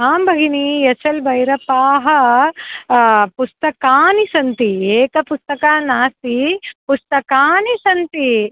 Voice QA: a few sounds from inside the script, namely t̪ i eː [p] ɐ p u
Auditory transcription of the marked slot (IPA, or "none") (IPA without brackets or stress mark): k